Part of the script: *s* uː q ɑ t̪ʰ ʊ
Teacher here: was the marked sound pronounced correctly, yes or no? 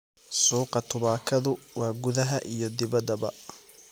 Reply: yes